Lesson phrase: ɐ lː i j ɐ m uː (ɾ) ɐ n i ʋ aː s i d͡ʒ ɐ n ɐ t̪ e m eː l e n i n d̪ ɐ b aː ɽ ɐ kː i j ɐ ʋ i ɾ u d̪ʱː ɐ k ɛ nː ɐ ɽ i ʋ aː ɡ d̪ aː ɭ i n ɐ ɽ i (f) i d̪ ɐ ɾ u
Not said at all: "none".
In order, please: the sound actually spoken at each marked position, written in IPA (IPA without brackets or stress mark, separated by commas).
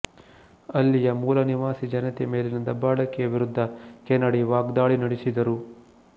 l, s